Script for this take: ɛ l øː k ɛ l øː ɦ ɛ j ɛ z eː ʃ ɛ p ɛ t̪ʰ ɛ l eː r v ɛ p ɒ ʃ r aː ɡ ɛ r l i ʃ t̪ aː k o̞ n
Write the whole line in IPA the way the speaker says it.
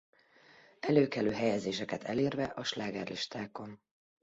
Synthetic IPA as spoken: ɛ l øː k ɛ l øː ɦ ɛ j ɛ z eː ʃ ɛ k ɛ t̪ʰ ɛ l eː r v ɛ ʔ ɒ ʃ l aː ɡ ɛ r l i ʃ t̪ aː k o̞ n